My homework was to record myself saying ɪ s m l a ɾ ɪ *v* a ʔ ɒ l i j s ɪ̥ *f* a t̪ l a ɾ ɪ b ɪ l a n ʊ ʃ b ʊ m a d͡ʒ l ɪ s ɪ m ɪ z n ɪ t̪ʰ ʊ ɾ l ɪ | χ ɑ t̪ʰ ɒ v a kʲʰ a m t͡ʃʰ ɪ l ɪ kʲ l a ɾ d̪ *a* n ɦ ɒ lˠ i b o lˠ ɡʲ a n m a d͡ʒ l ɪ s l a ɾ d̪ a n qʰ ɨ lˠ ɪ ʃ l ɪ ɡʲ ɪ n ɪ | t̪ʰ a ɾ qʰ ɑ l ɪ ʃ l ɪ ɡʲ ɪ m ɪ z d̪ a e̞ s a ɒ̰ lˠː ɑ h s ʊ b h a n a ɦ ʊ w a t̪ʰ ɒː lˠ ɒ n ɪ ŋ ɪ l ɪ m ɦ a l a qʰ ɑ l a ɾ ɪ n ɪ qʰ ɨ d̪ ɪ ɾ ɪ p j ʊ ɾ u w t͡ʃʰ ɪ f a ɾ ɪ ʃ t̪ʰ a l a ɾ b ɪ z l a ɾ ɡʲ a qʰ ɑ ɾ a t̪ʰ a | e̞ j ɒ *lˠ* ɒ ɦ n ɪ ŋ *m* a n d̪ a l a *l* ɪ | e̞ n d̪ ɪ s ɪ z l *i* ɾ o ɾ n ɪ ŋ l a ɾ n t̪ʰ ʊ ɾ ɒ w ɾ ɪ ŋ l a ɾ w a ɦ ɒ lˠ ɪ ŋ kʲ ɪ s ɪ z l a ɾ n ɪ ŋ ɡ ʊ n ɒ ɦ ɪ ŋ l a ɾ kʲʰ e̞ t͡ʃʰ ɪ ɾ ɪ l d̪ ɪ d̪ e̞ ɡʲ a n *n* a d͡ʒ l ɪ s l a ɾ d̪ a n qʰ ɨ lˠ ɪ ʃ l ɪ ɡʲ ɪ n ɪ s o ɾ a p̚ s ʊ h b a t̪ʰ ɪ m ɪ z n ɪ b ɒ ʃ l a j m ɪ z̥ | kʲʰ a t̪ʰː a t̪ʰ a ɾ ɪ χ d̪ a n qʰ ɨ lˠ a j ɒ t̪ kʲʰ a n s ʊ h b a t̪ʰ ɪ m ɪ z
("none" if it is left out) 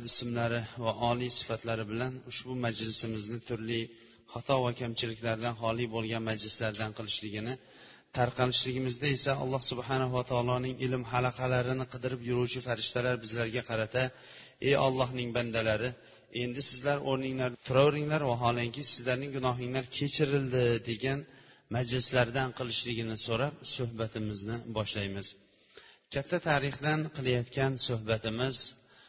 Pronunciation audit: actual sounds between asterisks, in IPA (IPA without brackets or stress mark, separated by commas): v, f, a, lˠː, b, ɾ, a, m